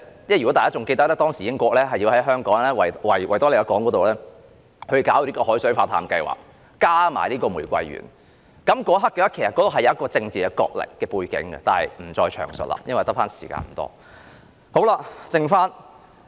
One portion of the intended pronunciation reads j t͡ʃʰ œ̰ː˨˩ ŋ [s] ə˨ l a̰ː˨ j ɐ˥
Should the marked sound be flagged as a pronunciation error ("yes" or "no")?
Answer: no